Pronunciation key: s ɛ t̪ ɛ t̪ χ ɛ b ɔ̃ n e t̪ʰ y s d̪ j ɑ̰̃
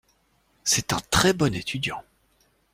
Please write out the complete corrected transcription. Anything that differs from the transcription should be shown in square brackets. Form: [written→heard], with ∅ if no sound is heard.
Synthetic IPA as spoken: s ɛ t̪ [ɛ→ɛ̃] t̪ χ ɛ b [ɔ̃→ɔ] n e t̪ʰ y [s→∅] d̪ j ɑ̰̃